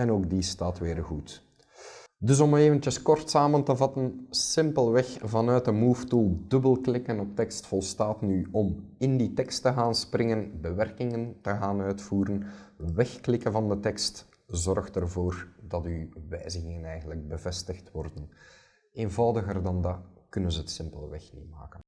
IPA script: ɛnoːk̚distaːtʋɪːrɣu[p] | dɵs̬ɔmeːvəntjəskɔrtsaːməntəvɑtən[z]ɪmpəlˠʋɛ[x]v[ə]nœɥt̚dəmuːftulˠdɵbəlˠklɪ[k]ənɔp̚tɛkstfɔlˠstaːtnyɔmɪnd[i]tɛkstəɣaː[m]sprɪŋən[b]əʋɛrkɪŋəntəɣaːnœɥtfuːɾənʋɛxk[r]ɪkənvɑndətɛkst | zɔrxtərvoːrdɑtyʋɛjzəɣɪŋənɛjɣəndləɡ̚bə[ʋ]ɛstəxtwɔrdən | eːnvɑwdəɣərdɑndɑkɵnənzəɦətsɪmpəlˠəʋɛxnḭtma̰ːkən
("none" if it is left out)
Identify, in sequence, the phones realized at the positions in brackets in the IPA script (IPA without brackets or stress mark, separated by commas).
t, s, x, ɑ, k, i, n, b, l, v